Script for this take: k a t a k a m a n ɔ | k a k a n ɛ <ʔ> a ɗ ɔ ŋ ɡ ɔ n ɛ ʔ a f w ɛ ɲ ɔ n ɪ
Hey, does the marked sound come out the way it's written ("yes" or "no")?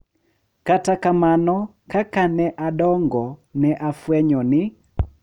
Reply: yes